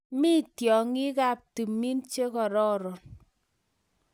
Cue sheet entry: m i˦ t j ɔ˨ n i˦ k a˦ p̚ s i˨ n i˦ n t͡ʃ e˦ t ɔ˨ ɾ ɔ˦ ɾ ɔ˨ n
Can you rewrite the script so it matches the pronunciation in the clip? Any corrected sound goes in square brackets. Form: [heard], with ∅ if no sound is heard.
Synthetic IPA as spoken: m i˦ t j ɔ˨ [ŋ] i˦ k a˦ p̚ [t] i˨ [m] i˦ n t͡ʃ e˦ [k] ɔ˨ ɾ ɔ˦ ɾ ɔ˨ n

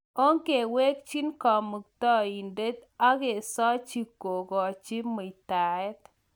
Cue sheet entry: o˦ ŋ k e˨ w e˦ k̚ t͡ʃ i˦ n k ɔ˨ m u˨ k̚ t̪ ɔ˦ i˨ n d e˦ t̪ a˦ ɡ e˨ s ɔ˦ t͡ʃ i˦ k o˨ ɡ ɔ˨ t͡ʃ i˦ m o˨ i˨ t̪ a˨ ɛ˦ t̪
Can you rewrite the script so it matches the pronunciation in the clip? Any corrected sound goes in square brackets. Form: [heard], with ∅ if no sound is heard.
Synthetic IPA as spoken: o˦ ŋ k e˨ w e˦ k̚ t͡ʃ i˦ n k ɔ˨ m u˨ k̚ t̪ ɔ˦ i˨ n d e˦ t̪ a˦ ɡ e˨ s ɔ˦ t͡ʃ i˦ k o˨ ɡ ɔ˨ t͡ʃ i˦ m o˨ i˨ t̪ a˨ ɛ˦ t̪

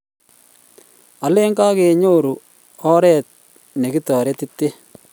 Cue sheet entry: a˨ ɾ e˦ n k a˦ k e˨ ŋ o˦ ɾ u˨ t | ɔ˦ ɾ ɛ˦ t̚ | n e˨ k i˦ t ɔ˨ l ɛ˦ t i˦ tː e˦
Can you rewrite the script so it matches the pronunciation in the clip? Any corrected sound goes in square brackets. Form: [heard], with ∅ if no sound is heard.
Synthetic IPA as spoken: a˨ [l] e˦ [ŋ] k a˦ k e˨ [ɲ] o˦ ɾ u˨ [∅] | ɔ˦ ɾ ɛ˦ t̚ | n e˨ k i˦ t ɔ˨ [ɾ] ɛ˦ t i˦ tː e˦

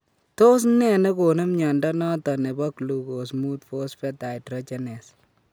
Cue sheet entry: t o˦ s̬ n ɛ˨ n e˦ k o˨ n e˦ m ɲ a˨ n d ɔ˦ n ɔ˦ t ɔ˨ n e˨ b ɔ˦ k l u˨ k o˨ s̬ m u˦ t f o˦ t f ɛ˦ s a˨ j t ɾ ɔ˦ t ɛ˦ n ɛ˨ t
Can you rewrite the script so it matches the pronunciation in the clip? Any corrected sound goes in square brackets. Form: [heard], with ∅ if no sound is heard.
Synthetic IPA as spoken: t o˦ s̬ n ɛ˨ n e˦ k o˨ n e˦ m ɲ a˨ n d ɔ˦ n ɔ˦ t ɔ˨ n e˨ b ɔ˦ k l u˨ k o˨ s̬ m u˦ t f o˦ [s] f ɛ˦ [t] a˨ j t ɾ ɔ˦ [t͡ʃ] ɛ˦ n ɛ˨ [s]

